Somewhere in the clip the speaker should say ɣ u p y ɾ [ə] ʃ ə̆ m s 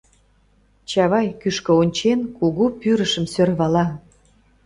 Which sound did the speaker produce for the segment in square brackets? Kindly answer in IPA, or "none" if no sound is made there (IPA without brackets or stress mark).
ə